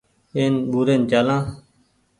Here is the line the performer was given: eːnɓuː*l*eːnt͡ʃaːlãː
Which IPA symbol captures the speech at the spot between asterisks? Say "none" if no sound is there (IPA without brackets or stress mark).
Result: ɾ